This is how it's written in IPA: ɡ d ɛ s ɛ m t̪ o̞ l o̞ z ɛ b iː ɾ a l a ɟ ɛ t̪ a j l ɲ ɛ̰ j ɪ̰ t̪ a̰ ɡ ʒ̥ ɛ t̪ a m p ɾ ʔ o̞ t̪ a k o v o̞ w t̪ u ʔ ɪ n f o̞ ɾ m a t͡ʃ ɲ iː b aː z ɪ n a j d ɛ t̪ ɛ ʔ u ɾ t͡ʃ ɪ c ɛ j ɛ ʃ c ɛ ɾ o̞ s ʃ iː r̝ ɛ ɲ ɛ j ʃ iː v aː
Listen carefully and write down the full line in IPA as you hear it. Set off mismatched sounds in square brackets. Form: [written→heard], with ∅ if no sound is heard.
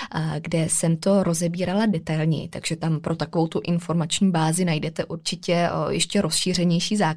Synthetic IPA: ɡ d ɛ s ɛ m t̪ o̞ [l→ɾ] o̞ z ɛ b iː ɾ a l a [ɟ→d] ɛ t̪ a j l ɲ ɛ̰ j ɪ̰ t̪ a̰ ɡ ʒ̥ ɛ t̪ a m p ɾ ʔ o̞ t̪ a k o v o̞ w t̪ u ʔ ɪ n f o̞ ɾ m a t͡ʃ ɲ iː b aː z ɪ n a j d ɛ t̪ ɛ ʔ u ɾ t͡ʃ ɪ c ɛ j ɛ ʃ c ɛ ɾ o̞ s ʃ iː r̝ ɛ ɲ ɛ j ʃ iː [v→z] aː